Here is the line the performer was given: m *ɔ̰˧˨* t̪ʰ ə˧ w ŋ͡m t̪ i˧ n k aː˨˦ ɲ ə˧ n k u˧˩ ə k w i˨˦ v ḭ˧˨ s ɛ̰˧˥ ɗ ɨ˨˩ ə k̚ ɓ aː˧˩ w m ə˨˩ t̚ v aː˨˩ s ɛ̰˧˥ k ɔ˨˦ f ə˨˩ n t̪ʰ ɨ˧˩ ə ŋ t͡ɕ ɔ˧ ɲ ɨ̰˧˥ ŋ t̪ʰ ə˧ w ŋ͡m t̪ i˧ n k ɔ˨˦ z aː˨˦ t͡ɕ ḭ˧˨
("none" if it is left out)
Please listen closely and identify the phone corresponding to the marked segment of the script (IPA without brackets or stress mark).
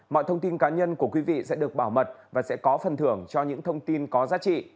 ɔ̰˧˨